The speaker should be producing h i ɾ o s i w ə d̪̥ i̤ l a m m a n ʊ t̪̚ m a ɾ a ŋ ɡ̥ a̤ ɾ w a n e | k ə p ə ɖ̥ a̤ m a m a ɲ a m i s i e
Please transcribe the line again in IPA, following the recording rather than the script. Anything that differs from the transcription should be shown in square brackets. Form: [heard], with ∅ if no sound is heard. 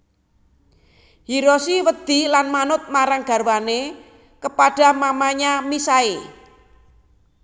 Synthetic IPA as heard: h i ɾ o s i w ə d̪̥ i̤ l a [n] m a n ʊ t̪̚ m a ɾ a ŋ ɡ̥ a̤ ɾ w a n e | k ə p [a] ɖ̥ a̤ m a m a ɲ a m i s [a] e